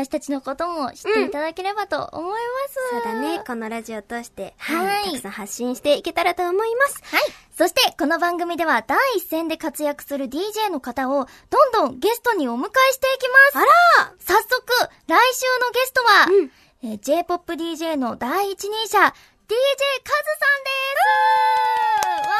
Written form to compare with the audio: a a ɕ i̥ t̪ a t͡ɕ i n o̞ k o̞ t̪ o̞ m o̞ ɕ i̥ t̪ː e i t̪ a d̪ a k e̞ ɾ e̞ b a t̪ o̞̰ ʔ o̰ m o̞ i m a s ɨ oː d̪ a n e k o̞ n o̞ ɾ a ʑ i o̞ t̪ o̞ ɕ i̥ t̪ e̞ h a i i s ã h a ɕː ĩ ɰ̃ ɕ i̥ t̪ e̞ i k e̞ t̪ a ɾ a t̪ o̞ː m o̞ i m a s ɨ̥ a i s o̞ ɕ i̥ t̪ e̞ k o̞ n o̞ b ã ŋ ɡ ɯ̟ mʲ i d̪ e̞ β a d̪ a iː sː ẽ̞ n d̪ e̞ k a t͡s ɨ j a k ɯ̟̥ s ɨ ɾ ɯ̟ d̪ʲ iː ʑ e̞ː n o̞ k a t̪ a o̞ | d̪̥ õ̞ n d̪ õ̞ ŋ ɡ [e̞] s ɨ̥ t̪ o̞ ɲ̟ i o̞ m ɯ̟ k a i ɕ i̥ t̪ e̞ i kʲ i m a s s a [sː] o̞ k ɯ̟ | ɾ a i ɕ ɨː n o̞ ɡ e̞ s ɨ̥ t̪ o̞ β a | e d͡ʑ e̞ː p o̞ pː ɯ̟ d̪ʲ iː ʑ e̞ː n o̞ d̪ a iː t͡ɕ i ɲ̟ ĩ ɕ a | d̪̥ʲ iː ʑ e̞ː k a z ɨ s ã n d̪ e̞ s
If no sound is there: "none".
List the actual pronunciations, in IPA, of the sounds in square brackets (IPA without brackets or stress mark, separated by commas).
e̞, sː